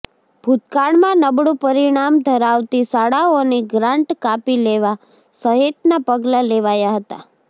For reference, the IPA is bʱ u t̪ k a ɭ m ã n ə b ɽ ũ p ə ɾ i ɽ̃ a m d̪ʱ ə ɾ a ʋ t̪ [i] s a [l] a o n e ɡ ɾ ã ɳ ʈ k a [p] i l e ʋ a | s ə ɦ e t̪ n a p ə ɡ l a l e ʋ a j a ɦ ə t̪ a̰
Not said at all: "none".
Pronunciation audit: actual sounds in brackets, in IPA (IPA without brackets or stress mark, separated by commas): i, ɽ, p